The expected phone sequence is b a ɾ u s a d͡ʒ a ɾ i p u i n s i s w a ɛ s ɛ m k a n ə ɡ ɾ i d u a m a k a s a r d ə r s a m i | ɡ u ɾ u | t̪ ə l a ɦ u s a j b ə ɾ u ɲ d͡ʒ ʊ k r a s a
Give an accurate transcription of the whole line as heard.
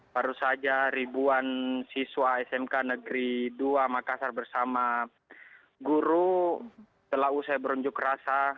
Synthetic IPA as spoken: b a ɾ u s a d͡ʒ a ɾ i b u a n s i s w a ɛ s ɛ m k a n ə ɡ ɾ i d u a m a k a s a r b ə r s a m a | ɡ u ɾ u | t̪ ə l a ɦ u s a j b ə ɾ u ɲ d͡ʒ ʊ k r a s a